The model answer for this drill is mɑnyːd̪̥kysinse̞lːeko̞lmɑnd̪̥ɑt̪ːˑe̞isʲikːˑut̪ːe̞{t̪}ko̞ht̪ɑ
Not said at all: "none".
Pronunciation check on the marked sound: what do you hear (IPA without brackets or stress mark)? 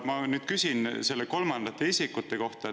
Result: none